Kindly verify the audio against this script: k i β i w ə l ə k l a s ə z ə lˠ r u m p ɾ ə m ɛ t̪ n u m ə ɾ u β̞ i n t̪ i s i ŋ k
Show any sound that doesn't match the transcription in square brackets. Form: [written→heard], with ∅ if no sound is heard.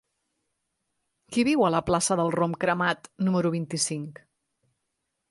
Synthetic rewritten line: k i β i w ə l ə [k→p] l a s ə [z→ð] ə lˠ r [u→o] m [p→k] ɾ ə m [ɛ→a] t̪ n u m ə ɾ u β̞ i n t̪ i s i ŋ k